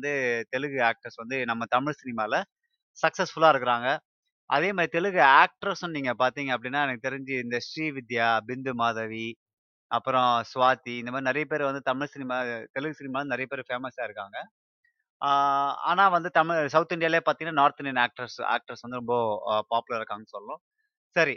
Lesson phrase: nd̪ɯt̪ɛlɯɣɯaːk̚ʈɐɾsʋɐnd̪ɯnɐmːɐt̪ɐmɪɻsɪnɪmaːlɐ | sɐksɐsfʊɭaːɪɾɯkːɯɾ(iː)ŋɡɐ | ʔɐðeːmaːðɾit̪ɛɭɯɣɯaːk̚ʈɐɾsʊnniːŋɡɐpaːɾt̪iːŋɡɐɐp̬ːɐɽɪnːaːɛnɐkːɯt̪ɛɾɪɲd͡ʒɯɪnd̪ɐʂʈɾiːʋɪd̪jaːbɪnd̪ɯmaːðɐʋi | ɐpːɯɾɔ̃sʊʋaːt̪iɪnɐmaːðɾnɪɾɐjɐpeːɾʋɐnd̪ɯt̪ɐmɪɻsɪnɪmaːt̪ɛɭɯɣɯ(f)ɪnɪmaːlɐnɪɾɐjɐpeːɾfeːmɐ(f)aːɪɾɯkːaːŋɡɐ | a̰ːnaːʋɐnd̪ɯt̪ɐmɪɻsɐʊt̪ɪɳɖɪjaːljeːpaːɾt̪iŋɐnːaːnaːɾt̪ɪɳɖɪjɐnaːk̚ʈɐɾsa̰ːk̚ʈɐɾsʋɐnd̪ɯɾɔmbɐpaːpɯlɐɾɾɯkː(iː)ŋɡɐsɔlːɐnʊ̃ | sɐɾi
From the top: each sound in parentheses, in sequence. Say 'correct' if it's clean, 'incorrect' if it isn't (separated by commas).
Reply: incorrect, incorrect, incorrect, incorrect